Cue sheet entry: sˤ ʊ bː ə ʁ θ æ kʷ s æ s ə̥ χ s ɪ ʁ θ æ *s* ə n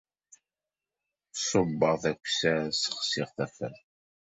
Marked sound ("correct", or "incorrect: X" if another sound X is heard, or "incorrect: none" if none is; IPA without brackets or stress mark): incorrect: f